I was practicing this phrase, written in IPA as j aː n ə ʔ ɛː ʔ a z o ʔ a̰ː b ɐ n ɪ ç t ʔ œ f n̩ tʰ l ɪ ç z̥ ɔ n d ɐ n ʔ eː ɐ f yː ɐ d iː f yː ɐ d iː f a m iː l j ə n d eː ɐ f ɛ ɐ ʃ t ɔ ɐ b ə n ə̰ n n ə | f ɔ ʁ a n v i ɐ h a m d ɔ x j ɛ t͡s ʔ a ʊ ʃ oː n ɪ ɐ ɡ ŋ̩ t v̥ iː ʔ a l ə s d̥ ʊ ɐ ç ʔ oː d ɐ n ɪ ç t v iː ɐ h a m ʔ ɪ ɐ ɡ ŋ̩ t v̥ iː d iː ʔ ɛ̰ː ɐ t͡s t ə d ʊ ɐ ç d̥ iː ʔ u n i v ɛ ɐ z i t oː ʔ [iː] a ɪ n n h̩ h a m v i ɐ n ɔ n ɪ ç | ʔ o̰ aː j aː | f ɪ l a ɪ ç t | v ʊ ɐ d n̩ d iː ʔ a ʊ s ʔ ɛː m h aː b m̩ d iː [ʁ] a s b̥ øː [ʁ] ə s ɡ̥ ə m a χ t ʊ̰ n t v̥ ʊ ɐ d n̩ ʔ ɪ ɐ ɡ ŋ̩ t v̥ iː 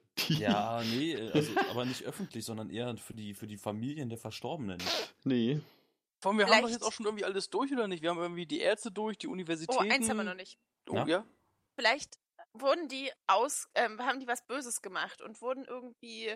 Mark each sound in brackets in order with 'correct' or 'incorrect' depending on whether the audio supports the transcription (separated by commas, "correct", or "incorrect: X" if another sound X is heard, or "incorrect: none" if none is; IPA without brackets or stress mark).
incorrect: ɛː, incorrect: v, incorrect: z